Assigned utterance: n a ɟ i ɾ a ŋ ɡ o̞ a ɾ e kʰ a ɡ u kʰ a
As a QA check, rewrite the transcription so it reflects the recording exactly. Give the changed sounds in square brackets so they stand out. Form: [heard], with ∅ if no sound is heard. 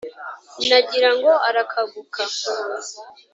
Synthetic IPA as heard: n a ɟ i ɾ a ŋ ɡ o̞ a ɾ [a] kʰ a ɡ u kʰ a